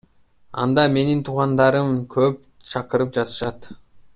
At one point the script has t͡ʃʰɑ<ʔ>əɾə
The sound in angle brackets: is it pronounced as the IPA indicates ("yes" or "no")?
no